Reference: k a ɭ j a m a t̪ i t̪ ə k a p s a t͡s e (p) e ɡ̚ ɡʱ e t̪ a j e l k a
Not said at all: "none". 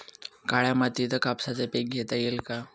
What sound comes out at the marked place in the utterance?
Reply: p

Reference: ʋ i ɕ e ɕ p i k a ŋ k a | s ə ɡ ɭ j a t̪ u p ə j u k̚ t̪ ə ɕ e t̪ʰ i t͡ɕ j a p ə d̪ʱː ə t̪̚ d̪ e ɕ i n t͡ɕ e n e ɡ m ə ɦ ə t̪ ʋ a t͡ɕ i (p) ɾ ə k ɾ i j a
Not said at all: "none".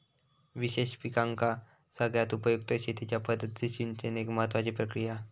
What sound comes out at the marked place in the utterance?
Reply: p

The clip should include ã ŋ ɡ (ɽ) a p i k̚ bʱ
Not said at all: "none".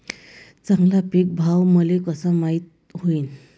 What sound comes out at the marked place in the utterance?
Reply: l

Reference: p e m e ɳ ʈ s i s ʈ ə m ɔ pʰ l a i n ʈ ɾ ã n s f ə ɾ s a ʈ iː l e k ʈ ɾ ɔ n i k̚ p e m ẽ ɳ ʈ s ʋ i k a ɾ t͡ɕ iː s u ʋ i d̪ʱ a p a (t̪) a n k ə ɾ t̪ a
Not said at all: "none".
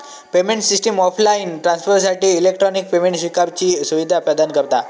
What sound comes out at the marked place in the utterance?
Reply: d̪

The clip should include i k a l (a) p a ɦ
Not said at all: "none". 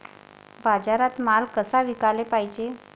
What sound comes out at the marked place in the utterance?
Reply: e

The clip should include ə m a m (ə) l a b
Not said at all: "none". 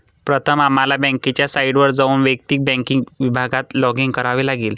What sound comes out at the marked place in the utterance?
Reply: a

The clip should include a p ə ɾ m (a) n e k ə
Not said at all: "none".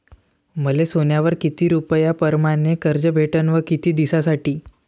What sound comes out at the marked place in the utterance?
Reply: a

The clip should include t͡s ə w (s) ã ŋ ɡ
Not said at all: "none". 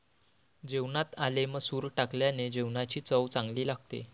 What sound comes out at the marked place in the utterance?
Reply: t͡s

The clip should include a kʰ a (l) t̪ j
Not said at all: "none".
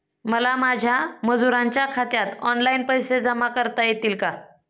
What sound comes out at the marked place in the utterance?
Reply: none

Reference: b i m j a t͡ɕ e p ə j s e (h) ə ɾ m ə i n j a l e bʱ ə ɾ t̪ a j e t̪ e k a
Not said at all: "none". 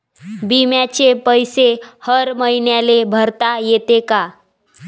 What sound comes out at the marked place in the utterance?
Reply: h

